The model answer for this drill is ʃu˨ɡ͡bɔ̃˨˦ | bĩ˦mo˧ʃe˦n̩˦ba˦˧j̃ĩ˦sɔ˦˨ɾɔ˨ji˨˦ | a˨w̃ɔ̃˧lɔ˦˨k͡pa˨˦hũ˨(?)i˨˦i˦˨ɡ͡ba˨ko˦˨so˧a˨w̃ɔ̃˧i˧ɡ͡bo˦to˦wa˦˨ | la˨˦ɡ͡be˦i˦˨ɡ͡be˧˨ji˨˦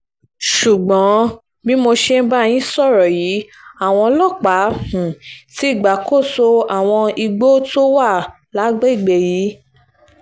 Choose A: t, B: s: A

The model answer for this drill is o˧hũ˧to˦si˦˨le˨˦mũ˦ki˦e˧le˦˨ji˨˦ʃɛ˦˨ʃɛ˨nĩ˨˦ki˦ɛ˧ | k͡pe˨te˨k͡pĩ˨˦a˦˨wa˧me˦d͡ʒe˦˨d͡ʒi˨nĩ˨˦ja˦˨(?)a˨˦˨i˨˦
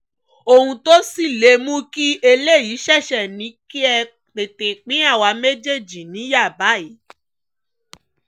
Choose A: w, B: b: B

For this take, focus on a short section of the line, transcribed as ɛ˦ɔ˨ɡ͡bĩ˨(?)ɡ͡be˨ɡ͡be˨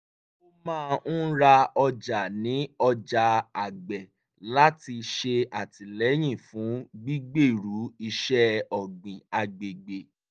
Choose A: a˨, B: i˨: A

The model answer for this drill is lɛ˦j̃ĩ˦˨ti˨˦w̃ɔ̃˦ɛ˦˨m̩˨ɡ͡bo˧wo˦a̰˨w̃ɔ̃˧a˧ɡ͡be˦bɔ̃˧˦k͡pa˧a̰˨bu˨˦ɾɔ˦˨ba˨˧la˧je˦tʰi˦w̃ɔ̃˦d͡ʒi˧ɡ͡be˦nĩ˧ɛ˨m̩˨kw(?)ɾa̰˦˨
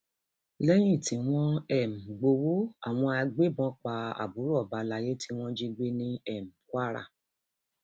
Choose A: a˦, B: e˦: A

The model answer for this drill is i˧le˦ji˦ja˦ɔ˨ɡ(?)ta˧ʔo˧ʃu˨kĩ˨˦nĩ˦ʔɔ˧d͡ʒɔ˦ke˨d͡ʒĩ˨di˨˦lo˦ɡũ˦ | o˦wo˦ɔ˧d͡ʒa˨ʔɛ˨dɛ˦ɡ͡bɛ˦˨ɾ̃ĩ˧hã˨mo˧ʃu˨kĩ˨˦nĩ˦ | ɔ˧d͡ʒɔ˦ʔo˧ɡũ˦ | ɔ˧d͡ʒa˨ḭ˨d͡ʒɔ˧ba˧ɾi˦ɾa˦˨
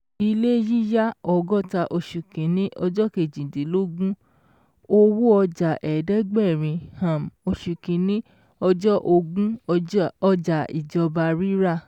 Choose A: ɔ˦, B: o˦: A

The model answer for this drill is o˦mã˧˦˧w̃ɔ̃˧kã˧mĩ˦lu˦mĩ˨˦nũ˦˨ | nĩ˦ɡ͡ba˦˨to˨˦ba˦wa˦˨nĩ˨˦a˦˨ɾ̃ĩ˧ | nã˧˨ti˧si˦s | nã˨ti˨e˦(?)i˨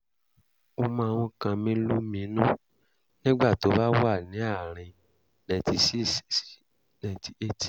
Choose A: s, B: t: B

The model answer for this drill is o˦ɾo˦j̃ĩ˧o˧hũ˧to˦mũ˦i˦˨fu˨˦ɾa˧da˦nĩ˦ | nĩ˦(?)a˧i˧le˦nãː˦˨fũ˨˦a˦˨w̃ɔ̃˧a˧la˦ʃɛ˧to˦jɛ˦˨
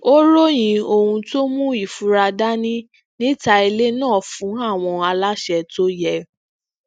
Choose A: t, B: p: A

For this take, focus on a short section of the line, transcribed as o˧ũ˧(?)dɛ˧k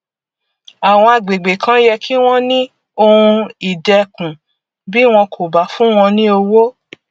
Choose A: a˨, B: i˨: B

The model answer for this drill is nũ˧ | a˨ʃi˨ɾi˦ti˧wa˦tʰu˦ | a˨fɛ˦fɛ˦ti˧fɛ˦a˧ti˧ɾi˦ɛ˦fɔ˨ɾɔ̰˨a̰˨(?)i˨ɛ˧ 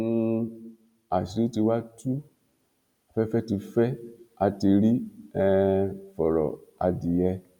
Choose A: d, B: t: A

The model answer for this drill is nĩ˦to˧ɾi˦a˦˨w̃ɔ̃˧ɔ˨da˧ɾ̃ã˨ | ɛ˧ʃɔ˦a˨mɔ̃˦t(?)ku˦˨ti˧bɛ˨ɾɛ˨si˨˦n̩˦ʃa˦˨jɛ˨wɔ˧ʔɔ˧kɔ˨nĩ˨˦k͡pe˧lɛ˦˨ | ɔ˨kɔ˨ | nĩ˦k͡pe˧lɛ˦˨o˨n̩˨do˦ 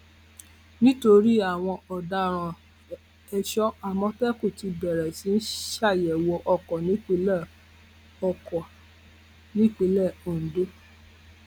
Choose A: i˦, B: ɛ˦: B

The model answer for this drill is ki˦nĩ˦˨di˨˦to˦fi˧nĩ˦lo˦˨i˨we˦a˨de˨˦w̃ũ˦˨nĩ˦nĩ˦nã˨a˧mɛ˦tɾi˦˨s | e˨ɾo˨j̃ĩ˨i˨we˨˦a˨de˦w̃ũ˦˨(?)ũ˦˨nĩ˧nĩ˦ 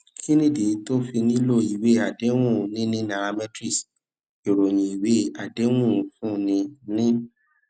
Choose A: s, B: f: B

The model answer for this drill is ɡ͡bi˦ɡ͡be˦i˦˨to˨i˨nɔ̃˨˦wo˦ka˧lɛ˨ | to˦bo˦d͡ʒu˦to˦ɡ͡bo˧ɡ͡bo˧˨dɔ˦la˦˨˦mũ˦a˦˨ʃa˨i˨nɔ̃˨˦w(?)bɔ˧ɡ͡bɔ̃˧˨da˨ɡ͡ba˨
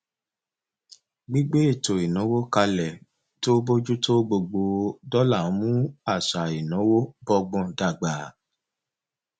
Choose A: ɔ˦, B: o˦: B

